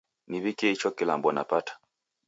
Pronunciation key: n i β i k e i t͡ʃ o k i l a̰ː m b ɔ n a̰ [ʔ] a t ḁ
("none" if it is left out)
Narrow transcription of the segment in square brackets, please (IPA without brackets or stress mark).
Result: p